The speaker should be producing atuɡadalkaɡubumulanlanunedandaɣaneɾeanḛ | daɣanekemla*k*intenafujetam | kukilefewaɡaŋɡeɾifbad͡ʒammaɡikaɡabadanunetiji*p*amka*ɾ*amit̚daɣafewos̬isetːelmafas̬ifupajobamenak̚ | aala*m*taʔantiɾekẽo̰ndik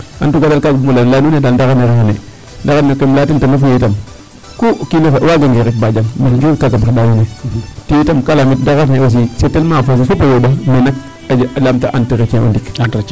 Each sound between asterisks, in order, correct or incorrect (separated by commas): incorrect, incorrect, incorrect, correct